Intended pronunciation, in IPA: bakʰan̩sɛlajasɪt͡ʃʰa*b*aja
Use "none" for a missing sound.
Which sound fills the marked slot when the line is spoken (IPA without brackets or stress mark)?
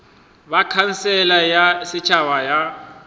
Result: w